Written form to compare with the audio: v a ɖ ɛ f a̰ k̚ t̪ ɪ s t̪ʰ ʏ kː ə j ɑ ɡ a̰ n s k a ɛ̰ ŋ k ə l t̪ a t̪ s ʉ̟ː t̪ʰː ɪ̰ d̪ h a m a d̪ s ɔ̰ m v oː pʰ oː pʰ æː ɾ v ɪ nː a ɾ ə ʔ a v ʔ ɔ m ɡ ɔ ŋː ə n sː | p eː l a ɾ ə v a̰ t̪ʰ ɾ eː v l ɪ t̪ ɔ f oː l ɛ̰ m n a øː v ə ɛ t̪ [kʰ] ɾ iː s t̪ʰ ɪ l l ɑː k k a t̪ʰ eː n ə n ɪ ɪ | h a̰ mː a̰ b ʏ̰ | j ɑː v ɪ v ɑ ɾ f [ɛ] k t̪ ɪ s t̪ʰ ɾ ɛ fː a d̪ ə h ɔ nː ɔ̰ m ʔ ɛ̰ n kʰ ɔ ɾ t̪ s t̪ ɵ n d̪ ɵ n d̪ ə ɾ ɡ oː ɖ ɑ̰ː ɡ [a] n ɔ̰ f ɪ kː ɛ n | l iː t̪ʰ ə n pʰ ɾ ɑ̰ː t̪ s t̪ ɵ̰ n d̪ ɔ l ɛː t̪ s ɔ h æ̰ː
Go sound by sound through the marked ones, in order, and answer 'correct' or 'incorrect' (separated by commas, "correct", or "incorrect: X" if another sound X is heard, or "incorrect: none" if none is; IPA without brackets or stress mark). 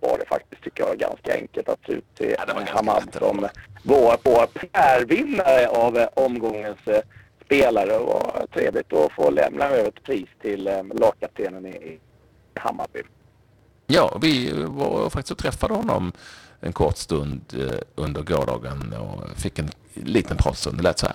incorrect: pʰ, incorrect: a, incorrect: ə